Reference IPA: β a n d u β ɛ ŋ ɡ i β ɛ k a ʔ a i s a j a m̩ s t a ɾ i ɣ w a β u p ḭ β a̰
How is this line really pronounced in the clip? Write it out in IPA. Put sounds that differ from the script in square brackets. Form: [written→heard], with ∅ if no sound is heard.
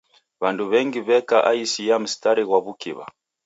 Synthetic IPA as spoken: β a n d u β ɛ ŋ ɡ i β ɛ k a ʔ a i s [a→i] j a m̩ s t a ɾ i ɣ w a β u [p→k] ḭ β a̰